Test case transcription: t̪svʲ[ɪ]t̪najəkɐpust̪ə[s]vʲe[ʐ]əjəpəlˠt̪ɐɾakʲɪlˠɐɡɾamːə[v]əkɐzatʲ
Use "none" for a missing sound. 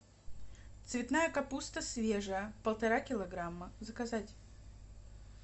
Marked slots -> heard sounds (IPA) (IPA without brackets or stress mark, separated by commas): ɪ, s, ʐ, z